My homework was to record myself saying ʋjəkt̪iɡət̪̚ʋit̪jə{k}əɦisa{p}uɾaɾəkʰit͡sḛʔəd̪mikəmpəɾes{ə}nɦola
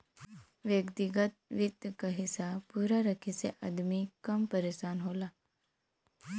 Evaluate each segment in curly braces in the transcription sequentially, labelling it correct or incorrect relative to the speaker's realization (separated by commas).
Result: correct, correct, incorrect